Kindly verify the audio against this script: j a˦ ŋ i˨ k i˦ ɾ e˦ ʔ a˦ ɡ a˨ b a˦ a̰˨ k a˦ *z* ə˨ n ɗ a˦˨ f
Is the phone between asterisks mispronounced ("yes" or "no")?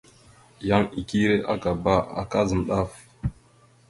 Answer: no